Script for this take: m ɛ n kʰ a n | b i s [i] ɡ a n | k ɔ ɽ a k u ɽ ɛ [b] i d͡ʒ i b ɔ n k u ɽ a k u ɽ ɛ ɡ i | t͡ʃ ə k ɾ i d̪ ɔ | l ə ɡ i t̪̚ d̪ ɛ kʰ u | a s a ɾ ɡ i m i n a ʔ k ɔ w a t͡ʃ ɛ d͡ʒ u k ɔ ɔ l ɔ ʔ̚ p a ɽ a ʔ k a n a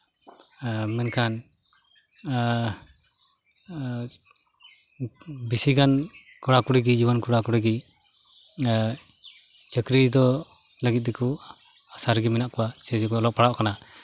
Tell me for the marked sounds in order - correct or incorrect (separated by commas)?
correct, incorrect